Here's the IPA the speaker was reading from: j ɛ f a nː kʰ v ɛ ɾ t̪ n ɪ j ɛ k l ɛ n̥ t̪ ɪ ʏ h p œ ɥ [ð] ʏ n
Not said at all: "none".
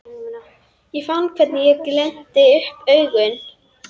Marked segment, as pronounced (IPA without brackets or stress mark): ɣ